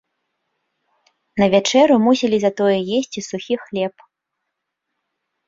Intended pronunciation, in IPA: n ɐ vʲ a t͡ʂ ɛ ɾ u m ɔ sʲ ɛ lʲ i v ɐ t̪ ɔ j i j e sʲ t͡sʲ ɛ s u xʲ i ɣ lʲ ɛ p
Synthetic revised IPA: n ɐ vʲ a t͡ʂ ɛ ɾ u m u sʲ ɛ lʲ i z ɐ t̪ ɔ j ɛ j e sʲ t͡sʲ i s u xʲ i x lʲ ɛ p